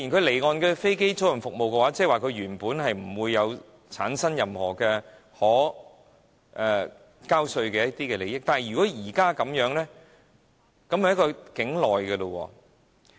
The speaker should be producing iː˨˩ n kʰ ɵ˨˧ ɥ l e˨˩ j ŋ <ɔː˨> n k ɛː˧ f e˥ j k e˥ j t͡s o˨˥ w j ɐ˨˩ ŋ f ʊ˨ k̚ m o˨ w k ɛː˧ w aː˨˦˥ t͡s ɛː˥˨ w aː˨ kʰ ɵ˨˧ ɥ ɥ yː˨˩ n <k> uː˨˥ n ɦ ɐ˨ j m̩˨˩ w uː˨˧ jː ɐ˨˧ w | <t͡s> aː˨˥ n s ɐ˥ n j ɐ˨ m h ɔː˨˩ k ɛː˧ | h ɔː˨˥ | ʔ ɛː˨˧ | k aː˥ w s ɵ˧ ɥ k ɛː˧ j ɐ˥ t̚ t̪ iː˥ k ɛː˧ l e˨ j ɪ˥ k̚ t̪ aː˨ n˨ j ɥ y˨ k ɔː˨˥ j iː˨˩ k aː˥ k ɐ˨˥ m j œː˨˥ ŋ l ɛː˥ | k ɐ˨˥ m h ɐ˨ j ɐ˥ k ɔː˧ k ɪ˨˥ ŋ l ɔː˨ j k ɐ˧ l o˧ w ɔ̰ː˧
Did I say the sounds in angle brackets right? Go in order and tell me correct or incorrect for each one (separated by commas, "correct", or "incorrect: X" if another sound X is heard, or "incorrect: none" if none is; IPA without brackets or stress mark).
correct, incorrect: p, incorrect: t͡sʰ